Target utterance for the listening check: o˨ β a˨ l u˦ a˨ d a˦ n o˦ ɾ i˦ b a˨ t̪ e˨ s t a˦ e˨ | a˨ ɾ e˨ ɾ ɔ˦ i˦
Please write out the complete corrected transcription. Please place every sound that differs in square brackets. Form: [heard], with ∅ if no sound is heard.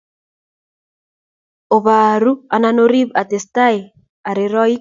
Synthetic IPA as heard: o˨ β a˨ [ɾ] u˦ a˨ [n] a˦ n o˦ ɾ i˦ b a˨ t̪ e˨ s t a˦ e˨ | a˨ ɾ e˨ ɾ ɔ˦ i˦